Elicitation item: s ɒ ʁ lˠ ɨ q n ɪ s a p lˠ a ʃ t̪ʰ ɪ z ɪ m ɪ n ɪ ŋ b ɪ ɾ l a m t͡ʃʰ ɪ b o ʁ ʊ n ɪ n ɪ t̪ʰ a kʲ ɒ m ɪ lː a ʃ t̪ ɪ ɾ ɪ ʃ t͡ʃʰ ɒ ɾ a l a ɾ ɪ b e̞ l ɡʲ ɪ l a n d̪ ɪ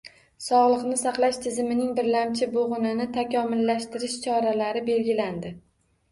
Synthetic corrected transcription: s ɒ ʁ lˠ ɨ q n ɪ s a q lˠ a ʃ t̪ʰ ɪ z ɪ m ɪ n ɪ ŋ b ɪ ɾ l a m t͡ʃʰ ɪ b o ʁ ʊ n ɪ n ɪ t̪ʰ a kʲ ɒ m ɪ lː a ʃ t̪ ɪ ɾ ɪ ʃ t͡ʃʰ ɒ ɾ a l a ɾ ɪ b e̞ l ɡʲ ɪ l a n d̪ ɪ